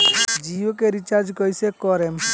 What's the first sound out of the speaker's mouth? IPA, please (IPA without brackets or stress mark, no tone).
d͡ʒ